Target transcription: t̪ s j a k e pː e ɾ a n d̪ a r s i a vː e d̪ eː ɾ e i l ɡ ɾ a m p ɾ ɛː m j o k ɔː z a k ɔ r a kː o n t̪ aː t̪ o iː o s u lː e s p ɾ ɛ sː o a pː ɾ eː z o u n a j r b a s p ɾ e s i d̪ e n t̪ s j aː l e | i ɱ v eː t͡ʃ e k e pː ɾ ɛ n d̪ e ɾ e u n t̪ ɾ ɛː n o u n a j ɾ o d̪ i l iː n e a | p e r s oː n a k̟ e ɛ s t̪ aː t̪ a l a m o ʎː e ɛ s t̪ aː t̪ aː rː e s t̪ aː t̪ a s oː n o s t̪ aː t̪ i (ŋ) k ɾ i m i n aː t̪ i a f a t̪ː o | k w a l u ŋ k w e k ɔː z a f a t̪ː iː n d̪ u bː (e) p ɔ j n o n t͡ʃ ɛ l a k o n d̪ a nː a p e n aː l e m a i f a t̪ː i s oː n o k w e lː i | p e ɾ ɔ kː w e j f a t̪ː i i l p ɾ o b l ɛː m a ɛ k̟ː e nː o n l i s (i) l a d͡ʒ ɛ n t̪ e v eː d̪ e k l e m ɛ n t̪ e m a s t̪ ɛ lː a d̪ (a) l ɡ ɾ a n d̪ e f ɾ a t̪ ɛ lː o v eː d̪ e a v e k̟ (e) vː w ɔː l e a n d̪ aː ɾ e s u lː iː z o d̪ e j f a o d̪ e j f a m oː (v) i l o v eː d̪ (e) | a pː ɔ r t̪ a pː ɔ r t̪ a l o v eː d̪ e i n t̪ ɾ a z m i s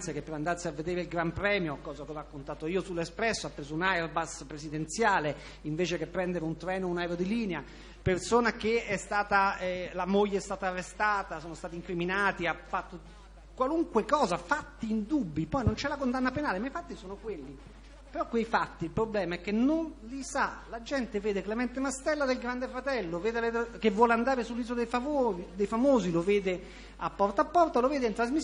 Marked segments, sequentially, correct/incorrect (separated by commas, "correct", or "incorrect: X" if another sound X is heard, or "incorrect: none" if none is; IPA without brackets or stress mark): correct, incorrect: i, incorrect: a, incorrect: e, correct, incorrect: z, correct